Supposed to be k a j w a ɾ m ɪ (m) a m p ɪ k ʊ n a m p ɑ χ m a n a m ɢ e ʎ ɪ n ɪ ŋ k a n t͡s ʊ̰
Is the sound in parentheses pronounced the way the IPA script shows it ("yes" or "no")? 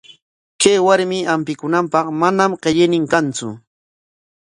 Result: no